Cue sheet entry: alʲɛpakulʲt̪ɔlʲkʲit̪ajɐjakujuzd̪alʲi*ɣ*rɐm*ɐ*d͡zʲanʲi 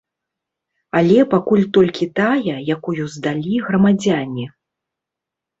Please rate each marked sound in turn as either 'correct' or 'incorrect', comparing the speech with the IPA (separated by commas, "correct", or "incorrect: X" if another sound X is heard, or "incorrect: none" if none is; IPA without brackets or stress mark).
correct, incorrect: a